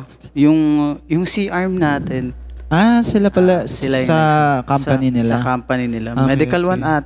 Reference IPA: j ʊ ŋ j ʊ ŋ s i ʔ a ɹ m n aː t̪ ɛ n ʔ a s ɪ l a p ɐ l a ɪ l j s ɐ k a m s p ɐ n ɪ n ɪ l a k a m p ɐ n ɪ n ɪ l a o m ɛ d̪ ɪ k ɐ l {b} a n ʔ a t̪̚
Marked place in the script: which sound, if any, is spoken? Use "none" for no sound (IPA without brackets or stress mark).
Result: w